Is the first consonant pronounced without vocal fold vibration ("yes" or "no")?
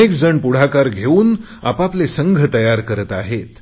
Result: yes